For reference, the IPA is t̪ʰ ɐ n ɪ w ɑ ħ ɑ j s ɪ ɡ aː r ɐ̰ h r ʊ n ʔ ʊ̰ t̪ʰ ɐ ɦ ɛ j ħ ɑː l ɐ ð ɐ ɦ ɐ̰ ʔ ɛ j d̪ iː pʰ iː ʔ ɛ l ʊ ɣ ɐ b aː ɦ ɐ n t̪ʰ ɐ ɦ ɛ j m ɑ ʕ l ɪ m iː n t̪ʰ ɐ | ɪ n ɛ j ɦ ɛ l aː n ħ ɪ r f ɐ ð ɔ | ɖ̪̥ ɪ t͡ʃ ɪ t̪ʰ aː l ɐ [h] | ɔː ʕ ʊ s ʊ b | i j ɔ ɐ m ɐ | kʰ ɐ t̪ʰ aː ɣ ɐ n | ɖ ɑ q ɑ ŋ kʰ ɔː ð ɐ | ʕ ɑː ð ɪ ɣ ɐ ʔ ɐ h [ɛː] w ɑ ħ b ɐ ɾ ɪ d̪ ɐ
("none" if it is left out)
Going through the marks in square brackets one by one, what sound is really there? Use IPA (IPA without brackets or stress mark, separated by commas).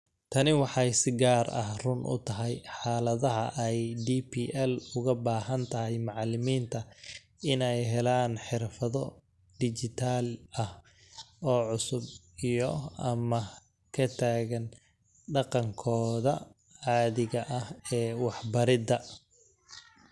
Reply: h, ɛː